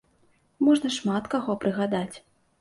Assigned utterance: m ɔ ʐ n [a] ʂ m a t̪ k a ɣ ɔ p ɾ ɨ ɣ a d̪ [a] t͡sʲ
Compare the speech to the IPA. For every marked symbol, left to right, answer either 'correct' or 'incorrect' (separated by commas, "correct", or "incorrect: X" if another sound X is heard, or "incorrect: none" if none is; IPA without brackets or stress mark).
incorrect: ɐ, correct